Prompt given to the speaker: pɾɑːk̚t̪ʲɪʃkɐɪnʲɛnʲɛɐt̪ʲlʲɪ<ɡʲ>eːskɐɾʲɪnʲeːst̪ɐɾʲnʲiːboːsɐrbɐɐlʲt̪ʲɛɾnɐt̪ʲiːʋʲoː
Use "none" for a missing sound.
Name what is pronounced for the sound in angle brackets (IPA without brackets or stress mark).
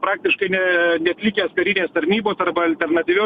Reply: kʲ